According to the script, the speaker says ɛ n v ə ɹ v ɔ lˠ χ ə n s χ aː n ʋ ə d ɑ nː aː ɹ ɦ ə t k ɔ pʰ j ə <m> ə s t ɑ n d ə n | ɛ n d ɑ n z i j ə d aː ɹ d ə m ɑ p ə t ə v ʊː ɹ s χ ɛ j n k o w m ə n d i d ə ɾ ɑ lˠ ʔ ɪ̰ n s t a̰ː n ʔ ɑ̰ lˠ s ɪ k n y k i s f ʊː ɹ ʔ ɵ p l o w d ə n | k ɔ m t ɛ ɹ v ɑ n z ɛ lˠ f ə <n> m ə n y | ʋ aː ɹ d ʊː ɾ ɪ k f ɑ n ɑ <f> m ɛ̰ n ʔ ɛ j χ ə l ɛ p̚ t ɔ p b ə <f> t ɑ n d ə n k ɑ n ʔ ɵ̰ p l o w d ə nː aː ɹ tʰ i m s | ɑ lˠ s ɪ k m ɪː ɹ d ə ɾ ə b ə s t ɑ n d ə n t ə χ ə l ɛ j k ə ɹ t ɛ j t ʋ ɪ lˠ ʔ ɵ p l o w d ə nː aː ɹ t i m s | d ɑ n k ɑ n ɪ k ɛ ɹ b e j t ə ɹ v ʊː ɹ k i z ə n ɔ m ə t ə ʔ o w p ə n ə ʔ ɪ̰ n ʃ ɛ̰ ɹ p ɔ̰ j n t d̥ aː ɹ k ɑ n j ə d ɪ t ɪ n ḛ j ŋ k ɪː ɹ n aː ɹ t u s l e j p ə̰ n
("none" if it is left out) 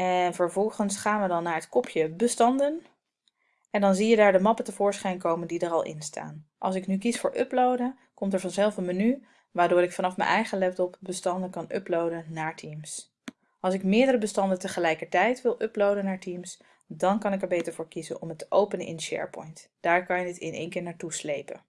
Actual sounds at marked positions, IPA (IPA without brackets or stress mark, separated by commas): b, n, f, s